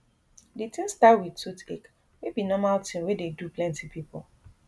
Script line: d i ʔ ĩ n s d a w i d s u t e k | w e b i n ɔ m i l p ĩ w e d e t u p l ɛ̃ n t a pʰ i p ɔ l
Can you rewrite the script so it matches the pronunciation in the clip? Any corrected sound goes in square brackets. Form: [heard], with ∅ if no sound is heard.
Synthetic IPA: d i [t] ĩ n s [t] a w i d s u t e k | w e b i n ɔ m [a] l [t] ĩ w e d e [d] u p l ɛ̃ n t [i] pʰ i p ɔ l